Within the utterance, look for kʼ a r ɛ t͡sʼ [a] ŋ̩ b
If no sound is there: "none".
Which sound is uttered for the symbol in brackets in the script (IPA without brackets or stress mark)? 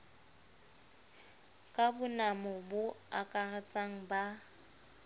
a